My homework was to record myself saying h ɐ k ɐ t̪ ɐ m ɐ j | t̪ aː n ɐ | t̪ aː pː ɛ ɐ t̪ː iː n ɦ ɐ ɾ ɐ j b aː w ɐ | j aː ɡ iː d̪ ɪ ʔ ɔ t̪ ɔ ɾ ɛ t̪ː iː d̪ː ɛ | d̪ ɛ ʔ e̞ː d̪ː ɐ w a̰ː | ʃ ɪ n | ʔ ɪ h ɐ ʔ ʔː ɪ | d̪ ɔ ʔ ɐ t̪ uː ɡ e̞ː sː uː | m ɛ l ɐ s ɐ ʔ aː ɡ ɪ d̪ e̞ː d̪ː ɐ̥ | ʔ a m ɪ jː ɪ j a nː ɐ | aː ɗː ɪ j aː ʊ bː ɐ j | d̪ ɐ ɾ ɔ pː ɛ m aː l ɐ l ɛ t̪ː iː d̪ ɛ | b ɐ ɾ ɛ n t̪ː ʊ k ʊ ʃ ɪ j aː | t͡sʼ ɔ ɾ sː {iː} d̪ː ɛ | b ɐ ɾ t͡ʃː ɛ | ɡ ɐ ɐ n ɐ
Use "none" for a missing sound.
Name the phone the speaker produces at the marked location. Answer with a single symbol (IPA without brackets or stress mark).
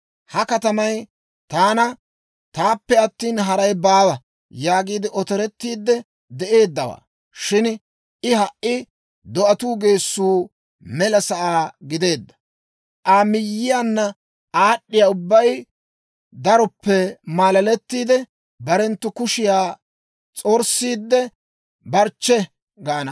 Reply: iː